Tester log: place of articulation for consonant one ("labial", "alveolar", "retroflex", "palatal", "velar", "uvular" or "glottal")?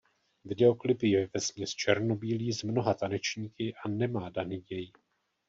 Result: labial